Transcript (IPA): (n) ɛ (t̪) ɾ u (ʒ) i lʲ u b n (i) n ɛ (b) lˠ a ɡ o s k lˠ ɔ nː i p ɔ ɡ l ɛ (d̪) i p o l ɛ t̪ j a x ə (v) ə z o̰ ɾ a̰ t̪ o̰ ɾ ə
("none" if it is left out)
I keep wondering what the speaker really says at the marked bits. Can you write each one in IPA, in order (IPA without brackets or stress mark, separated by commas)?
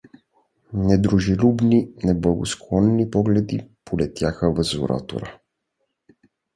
n, d̪, ʒ, i, b, d̪, v